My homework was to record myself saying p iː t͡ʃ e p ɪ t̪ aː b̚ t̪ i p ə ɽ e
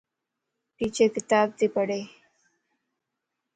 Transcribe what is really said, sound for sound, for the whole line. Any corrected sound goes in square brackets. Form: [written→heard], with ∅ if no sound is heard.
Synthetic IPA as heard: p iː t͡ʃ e [p→k] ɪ t̪ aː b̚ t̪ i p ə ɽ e